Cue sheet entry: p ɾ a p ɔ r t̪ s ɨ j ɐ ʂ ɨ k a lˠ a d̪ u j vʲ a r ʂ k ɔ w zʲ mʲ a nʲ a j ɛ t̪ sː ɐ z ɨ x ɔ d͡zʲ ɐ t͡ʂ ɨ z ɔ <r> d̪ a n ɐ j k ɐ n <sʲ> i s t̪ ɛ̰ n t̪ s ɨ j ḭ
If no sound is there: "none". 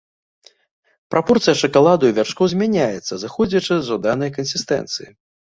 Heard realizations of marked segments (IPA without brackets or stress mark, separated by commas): none, sʲ